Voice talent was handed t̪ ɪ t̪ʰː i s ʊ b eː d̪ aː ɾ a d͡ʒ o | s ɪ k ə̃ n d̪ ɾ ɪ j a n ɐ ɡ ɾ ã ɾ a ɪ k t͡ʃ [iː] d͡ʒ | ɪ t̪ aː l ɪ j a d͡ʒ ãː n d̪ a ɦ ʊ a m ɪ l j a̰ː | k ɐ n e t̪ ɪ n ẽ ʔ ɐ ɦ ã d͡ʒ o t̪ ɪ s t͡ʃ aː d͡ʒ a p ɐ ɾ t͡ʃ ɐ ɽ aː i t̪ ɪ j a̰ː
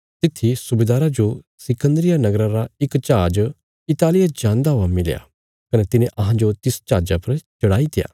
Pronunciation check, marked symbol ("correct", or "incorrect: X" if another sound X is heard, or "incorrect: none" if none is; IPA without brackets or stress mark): incorrect: aː